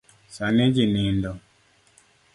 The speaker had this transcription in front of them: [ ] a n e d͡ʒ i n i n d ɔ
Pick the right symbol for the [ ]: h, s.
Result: s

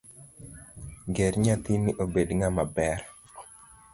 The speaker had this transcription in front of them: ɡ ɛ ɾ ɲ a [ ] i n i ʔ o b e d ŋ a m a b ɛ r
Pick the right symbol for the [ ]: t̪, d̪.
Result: t̪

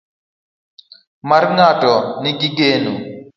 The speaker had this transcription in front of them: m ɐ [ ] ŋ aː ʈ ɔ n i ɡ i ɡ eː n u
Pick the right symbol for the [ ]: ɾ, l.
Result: ɾ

